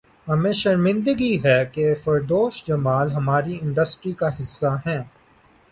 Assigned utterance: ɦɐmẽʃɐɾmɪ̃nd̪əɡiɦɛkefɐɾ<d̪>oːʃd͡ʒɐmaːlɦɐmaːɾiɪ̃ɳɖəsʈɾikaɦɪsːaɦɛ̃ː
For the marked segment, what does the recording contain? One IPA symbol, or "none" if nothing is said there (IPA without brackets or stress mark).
d̪